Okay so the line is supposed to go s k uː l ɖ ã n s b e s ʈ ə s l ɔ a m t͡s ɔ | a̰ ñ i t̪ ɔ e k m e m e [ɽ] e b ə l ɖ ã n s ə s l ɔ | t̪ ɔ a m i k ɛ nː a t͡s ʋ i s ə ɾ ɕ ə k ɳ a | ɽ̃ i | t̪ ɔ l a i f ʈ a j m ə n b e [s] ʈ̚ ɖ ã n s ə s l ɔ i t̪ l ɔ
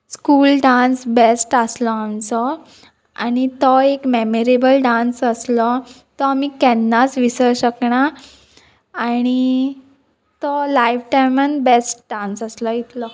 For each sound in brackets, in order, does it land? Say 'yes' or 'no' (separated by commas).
no, yes